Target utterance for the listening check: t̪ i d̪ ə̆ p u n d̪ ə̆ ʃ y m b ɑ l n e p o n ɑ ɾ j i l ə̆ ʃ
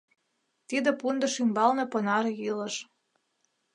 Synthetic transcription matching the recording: t̪ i d̪ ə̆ p u n d̪ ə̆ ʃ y m b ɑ l n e p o n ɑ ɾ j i l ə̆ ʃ